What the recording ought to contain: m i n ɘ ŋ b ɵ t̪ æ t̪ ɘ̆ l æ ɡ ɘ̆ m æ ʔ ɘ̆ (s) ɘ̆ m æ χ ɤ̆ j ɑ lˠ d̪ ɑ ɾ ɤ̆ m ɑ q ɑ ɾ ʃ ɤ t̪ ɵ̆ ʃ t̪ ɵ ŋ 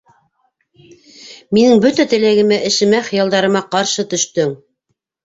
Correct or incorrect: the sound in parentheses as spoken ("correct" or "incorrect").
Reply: incorrect